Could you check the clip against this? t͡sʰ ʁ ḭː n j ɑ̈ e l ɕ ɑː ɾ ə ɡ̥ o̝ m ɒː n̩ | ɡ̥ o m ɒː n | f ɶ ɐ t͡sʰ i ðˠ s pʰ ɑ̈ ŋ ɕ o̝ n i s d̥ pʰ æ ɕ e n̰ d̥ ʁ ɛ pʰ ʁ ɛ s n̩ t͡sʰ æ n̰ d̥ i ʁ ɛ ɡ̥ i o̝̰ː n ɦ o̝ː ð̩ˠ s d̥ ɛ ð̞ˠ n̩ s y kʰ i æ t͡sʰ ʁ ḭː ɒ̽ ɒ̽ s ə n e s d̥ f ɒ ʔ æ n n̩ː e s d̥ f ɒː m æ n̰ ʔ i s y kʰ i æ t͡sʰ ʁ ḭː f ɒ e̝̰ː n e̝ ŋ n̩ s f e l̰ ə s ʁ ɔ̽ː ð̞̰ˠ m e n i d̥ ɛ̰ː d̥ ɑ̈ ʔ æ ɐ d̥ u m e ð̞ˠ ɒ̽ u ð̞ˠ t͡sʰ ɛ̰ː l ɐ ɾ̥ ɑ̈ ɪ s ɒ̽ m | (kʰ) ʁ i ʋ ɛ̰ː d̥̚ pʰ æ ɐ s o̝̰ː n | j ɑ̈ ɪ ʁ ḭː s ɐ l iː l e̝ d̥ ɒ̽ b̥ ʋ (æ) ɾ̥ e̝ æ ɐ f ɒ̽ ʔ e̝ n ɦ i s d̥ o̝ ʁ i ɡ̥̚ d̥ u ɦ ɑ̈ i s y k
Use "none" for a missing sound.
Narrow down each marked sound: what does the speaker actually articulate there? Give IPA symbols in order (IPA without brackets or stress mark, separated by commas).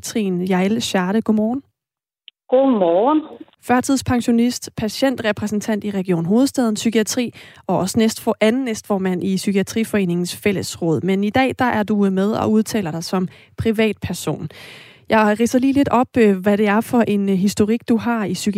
pʰ, æ